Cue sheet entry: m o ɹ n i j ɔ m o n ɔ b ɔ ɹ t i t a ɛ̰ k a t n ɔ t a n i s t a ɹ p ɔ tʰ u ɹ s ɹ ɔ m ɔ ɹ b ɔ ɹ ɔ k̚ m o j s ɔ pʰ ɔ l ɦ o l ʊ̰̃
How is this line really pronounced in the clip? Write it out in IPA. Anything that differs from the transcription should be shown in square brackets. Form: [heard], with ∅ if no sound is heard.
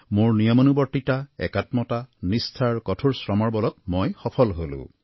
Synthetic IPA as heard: m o ɹ n i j ɔ m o n [u] b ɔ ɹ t i t a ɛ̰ k a t [m] ɔ t a n i s [tʰ] a ɹ [k] ɔ tʰ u ɹ s ɹ ɔ m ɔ ɹ b ɔ [l] ɔ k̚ m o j [x] ɔ pʰ ɔ l ɦ o l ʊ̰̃